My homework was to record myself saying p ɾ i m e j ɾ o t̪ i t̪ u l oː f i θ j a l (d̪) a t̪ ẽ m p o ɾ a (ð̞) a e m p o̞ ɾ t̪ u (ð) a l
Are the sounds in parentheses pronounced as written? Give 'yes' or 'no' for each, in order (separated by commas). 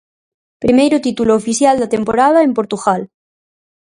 yes, yes, no